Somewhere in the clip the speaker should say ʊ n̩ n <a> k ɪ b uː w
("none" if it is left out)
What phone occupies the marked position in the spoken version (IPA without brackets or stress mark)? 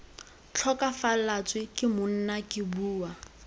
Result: a